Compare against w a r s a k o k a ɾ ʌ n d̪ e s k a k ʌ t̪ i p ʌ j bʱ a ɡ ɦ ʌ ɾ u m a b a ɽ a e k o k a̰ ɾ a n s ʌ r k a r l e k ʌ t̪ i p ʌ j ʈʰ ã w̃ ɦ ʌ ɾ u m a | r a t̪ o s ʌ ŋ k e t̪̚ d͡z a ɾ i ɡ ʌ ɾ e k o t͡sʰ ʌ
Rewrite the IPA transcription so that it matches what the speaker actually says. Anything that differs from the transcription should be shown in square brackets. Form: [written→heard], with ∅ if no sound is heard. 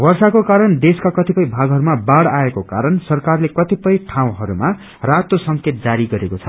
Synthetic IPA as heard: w [a→ʌ] r s a k o k a ɾ ʌ n d̪ e s k a k ʌ t̪ i p ʌ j bʱ a ɡ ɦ ʌ ɾ u m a b a ɽ a e k o k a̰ ɾ [a→ʌ] n s ʌ r k a r l e k ʌ t̪ i p ʌ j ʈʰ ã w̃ ɦ ʌ ɾ u m a | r a t̪ o s ʌ ŋ k e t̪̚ d͡z a ɾ i ɡ ʌ ɾ e k o t͡sʰ ʌ

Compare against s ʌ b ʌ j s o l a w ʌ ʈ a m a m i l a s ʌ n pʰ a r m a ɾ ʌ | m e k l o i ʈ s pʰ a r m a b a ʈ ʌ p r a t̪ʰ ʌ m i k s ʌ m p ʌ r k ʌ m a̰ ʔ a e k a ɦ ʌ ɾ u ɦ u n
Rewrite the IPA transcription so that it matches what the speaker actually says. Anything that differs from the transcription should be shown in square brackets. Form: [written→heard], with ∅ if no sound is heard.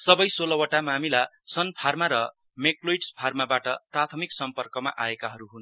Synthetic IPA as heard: s ʌ b ʌ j s o l [a→ʌ] w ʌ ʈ a m a m i l a s ʌ n pʰ a r m a ɾ ʌ | m e k l o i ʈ s pʰ a r m a b a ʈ ʌ p r a t̪ʰ ʌ m i k s ʌ m p ʌ r k ʌ m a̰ ʔ a e k a ɦ ʌ ɾ u ɦ u n

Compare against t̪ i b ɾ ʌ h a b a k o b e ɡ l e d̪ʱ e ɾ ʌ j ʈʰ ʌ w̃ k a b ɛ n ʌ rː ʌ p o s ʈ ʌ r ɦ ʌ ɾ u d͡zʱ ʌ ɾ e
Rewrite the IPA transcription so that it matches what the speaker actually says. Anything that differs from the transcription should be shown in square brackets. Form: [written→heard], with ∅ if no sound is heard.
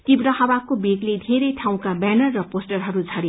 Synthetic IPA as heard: t̪ i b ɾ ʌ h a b a k o b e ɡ l e d̪ʱ e ɾ ʌ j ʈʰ [ʌ→a] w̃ k a b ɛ n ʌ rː ʌ p o s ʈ ʌ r ɦ ʌ ɾ u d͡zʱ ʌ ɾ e

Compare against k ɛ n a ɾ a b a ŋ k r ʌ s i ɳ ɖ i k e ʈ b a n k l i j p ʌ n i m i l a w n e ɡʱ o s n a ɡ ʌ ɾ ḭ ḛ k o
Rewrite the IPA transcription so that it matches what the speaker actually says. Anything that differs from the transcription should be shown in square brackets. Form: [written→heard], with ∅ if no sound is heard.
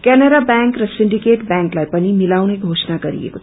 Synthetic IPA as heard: k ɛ n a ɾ a b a ŋ k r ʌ s i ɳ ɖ i k e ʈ b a [n→ŋ] k l [i→a] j p ʌ n i m i l a w n e ɡʱ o s n a ɡ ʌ ɾ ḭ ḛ k o

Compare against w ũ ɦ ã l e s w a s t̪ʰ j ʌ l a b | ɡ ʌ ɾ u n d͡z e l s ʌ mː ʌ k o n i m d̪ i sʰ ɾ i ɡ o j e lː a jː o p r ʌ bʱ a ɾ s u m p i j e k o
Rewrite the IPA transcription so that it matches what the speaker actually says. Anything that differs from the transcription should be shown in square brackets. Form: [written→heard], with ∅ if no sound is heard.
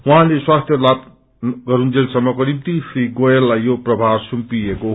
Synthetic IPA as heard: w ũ ɦ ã l e s w a s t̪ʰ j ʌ l a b | ɡ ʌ ɾ u n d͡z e l s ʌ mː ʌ k o n i m [d̪→t̪] i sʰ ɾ i ɡ o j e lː a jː o p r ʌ bʱ a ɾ s u m p i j e k o

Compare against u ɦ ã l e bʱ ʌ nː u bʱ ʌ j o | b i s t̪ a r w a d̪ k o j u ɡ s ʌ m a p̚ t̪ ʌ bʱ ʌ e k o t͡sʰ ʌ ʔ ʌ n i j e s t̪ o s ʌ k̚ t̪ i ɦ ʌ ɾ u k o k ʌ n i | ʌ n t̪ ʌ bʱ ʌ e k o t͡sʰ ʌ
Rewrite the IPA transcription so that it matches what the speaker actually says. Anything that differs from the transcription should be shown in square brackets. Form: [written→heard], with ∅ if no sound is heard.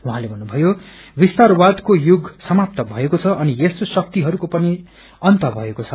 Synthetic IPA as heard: u ɦ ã l e bʱ ʌ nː u bʱ ʌ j o | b i s t̪ a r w a d̪ k o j u ɡ s ʌ m a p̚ t̪ ʌ bʱ ʌ e k o t͡sʰ ʌ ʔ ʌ n i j e s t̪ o s ʌ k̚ t̪ i ɦ ʌ ɾ u k o [k→p] ʌ n i | ʌ n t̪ ʌ bʱ ʌ e k o t͡sʰ ʌ

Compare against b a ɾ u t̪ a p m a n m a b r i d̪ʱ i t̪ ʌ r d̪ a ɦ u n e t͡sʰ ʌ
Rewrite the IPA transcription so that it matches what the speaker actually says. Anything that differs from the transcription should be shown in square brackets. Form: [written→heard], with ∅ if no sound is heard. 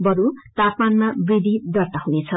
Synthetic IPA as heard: b [a→ʌ] ɾ u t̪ a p m a n m a b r i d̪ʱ i [t̪→d̪] ʌ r [d̪→t̪] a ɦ u n e t͡sʰ ʌ

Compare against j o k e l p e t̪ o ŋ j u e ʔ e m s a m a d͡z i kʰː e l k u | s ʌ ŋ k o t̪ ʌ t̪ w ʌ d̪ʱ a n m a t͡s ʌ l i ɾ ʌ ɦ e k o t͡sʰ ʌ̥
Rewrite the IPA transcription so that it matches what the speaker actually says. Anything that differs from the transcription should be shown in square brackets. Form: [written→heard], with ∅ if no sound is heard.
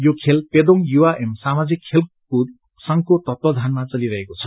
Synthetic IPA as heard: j o [k→kʰ] e l p e [t̪→d̪] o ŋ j u [e→a] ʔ e m s a m a d͡z i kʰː e l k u | s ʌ ŋ k o t̪ ʌ t̪ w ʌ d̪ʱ a n m a t͡s ʌ l i ɾ ʌ ɦ e k o t͡sʰ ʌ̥

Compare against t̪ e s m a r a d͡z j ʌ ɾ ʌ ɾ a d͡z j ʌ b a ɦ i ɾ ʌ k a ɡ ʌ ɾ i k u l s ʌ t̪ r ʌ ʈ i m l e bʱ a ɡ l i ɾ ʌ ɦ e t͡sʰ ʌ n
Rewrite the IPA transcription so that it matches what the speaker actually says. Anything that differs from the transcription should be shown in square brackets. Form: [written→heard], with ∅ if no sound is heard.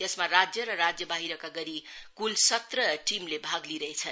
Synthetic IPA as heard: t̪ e s m a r a d͡z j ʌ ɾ ʌ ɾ a d͡z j ʌ b a ɦ i ɾ ʌ k a ɡ ʌ ɾ i k u l s ʌ t̪ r ʌ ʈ i m l e bʱ a ɡ l i ɾ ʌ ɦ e t͡sʰ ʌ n

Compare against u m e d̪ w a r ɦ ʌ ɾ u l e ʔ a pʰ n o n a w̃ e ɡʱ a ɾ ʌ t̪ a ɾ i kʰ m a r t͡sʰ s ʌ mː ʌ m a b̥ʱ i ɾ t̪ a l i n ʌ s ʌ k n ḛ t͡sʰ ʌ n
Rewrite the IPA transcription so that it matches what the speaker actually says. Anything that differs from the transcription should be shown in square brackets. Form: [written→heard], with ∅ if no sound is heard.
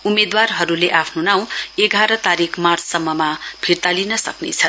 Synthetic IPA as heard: u m e d̪ w a r ɦ ʌ ɾ u l e ʔ a pʰ n o n a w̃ e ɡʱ a ɾ ʌ t̪ a ɾ i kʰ m a r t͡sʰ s ʌ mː ʌ m a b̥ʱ i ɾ t̪ a l i n ʌ s ʌ k n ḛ t͡sʰ ʌ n

